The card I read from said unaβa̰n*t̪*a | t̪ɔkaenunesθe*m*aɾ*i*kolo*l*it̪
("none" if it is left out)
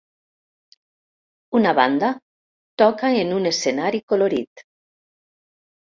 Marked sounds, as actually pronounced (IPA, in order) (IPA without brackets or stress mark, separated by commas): d̪, n, i, ɾ